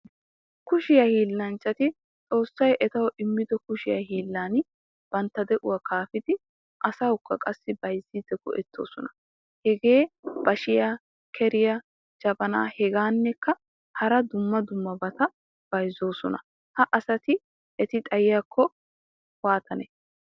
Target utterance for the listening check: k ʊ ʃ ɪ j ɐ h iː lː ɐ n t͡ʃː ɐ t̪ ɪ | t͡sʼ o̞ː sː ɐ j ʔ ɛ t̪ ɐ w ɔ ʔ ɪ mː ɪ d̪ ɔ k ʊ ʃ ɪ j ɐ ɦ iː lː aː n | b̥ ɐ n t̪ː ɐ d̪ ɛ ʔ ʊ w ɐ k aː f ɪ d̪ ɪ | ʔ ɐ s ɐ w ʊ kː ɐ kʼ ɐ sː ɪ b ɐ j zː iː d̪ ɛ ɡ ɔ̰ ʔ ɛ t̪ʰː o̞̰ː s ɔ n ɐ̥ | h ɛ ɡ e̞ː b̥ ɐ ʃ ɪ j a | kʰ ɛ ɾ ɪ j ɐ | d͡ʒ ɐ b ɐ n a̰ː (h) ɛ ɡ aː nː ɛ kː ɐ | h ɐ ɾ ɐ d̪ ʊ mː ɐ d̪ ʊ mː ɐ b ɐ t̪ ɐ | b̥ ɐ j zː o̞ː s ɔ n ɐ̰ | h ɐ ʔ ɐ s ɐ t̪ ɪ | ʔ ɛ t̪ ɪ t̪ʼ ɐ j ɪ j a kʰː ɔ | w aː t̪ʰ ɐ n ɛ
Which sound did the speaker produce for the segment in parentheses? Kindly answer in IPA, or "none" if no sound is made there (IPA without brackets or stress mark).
h